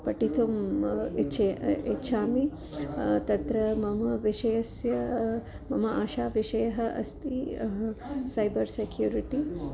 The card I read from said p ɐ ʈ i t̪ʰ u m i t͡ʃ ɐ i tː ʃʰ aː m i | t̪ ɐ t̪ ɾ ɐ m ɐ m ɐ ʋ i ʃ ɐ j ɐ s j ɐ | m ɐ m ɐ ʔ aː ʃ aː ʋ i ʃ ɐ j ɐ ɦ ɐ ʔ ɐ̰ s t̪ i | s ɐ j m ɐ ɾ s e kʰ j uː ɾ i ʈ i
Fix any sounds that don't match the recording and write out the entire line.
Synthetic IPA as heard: p ɐ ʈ i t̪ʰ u m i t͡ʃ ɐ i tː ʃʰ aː m i | t̪ ɐ t̪ ɾ ɐ m ɐ m ɐ ʋ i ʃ ɐ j ɐ s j ɐ | m ɐ m ɐ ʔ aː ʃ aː ʋ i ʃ ɐ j ɐ ɦ ɐ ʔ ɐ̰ s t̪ i | s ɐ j b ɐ ɾ s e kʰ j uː ɾ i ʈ i